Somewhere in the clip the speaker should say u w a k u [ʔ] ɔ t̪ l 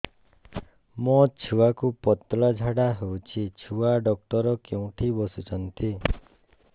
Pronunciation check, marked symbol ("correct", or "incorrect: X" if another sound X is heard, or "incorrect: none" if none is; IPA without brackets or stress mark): incorrect: p